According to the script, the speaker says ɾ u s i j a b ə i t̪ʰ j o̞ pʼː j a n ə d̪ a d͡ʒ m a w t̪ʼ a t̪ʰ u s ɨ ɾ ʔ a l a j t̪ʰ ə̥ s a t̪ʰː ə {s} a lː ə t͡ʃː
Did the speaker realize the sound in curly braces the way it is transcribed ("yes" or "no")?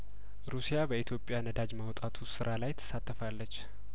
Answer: no